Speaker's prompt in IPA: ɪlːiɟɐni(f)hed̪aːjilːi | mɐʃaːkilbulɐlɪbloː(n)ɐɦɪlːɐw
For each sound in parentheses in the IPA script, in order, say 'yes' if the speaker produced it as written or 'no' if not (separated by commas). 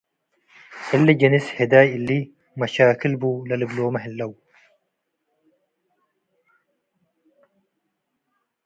no, no